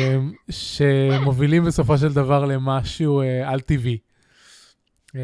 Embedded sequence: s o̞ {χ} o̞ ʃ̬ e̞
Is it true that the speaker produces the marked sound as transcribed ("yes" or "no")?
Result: no